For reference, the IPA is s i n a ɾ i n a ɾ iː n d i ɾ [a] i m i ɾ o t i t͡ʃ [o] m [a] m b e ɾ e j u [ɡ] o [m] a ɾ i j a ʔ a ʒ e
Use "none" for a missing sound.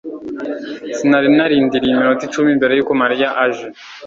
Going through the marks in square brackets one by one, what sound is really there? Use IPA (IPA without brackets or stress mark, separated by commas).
i, u, i, k, m